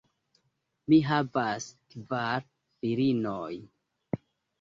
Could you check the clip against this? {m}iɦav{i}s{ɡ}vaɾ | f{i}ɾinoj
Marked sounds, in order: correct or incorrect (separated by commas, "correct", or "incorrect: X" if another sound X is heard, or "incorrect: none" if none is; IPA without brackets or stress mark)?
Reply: correct, incorrect: a, incorrect: k, correct